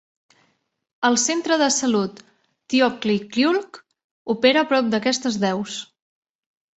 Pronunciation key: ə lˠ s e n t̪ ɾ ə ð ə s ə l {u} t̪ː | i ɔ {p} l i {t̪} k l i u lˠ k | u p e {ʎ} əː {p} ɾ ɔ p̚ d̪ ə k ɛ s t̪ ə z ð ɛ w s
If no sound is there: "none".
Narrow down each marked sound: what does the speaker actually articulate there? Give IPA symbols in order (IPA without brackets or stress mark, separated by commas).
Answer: u, k, none, ɾ, p